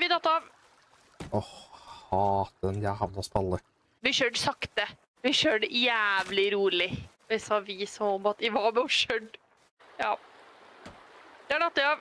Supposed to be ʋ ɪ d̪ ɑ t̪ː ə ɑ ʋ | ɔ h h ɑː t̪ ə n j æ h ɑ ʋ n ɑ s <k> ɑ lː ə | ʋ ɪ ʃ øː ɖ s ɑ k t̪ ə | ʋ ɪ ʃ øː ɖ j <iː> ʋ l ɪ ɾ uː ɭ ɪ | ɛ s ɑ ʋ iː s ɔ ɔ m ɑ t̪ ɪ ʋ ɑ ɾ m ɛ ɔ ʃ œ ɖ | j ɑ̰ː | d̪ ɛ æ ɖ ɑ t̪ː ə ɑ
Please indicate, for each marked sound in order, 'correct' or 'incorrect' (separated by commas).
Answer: incorrect, incorrect